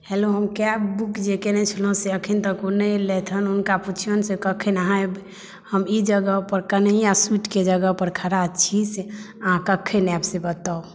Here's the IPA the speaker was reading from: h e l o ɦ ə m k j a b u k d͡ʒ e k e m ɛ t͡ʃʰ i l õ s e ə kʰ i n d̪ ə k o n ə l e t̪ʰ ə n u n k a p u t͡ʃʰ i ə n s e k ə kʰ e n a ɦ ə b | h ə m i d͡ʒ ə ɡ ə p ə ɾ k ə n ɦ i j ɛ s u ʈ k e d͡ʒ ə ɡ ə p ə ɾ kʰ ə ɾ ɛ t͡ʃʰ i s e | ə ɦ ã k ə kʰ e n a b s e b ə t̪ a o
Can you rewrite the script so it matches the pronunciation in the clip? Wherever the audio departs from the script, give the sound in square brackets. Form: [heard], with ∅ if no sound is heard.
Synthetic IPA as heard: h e l o ɦ ə m k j a b u k d͡ʒ e k e [n] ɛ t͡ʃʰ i l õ s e ə kʰ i n [t̪] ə k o n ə l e t̪ʰ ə n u n k a p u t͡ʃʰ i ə n s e k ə kʰ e n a ɦ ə b | h ə m i d͡ʒ ə ɡ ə p ə ɾ k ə n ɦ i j [a] s u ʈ k e d͡ʒ ə ɡ ə p ə ɾ kʰ ə ɾ [a] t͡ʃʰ i s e | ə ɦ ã k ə kʰ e n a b s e b ə t̪ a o